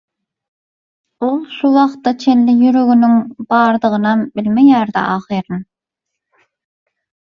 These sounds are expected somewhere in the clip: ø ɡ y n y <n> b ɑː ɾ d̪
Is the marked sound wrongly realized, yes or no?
yes